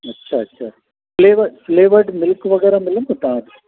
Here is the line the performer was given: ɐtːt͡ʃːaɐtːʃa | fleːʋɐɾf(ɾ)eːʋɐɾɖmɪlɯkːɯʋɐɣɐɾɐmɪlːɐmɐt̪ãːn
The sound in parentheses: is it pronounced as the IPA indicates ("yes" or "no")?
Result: no